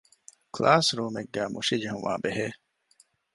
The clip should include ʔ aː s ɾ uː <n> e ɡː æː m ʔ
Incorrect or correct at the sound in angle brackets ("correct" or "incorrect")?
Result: incorrect